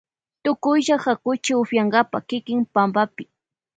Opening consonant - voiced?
no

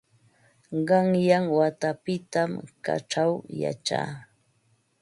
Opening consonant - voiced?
yes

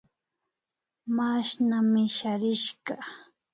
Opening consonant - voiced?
yes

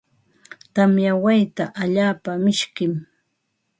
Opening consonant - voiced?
no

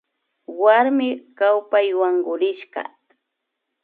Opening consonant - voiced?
yes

